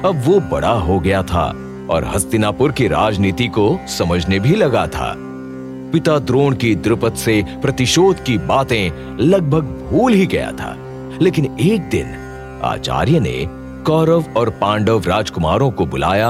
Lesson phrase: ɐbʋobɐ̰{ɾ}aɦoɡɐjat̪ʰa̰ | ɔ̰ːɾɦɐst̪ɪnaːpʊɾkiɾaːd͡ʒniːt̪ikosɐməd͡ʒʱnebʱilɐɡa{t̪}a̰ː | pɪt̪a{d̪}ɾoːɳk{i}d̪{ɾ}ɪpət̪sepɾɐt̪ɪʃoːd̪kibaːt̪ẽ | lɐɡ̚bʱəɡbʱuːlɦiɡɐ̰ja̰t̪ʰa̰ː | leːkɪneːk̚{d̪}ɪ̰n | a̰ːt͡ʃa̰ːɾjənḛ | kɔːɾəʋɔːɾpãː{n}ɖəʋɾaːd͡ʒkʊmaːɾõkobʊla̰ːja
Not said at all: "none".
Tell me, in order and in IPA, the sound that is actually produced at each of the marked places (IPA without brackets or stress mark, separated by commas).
ɽ, t̪ʰ, d̪, i, ɾ, d̪, ɳ